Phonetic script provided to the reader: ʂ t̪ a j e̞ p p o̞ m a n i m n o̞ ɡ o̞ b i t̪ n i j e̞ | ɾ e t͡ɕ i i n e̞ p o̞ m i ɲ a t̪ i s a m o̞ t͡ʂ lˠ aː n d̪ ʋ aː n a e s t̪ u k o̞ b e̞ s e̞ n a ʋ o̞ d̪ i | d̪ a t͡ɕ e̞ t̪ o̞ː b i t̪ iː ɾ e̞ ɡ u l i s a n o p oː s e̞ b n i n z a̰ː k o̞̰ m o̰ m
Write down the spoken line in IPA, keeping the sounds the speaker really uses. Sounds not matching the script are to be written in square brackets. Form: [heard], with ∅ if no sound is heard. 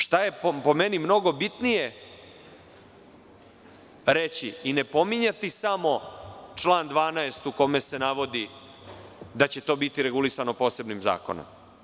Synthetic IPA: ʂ t̪ a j e̞ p p o̞ m [e] n i m n o̞ ɡ o̞ b i t̪ n i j e̞ | ɾ e t͡ɕ i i n e̞ p o̞ m i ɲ a t̪ i s a m o̞ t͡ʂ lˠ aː n d̪ ʋ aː n a e s t̪ u k o̞ [m] e̞ s e̞ n a ʋ o̞ d̪ i | d̪ a t͡ɕ e̞ t̪ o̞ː b i t̪ [i] ɾ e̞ ɡ u l i s a n o p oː s e̞ b n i [m] z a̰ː k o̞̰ [n] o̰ m